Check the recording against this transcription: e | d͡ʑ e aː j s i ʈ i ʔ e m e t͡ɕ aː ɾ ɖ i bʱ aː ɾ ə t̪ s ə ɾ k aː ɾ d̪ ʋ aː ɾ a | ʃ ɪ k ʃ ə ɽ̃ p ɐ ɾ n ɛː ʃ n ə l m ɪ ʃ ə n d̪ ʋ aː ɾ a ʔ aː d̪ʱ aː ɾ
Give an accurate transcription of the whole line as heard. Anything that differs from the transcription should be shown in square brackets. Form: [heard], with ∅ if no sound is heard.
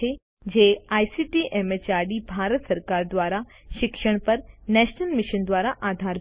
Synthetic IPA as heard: e | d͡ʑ e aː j s i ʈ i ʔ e m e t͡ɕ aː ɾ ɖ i bʱ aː ɾ ə t̪ s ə ɾ k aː ɾ d̪ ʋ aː ɾ a | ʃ ɪ k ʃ ə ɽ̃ p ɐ ɾ n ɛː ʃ n ə l m ɪ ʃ ə n d̪ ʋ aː ɾ a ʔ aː d̪ʱ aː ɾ